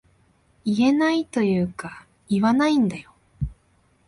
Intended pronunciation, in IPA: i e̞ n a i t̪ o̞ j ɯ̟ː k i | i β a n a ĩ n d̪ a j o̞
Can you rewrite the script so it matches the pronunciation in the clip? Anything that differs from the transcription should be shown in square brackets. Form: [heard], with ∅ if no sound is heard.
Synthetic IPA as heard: i e̞ n a i t̪ o̞ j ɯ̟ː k [a] | i β a n a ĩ n d̪ a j o̞